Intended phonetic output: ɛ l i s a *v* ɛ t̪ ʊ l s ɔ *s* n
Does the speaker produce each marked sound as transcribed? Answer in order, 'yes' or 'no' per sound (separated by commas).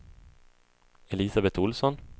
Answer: no, no